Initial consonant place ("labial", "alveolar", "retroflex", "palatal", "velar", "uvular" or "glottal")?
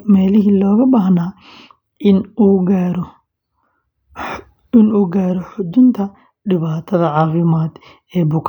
labial